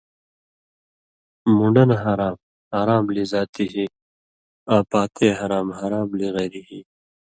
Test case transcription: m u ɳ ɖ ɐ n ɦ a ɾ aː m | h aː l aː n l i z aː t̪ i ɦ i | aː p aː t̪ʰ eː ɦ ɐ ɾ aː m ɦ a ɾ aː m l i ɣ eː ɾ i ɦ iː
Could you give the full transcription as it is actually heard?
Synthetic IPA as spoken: m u ɳ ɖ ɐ n ɦ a ɾ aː m | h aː ɾ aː m l i z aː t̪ i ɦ i | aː p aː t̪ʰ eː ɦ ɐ ɾ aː m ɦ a ɾ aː m l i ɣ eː ɾ i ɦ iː